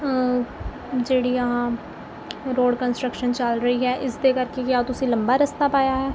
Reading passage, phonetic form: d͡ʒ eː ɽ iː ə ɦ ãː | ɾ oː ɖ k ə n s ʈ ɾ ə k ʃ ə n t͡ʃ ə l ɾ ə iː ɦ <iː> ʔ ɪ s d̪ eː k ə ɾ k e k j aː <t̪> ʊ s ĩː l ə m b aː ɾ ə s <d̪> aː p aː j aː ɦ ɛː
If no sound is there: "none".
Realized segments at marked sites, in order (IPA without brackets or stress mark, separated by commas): ɛː, t̪, t̪